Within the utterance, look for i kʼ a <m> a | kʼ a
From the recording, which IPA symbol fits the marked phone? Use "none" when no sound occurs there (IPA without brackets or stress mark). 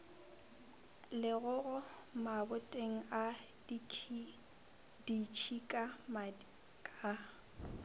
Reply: m